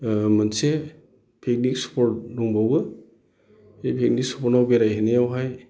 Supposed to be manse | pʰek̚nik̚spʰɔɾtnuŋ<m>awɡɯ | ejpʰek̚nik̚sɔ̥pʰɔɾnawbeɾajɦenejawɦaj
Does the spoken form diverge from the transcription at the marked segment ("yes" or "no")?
yes